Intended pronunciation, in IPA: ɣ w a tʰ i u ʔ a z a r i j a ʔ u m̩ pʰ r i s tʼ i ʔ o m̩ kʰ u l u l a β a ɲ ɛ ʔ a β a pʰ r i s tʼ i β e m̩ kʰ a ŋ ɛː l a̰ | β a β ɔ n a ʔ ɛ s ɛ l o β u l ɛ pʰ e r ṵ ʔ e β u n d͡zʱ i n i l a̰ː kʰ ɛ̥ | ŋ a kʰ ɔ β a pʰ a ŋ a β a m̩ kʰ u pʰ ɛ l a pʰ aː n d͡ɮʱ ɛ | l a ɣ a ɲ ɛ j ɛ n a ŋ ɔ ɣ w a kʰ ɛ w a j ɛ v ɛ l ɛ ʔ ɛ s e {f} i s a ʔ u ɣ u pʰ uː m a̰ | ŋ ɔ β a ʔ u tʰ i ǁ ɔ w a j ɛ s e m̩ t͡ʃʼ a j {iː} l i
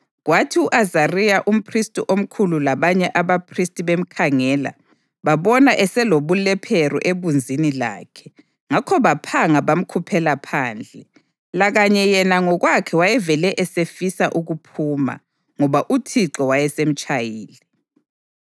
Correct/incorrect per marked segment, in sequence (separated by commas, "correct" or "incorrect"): correct, correct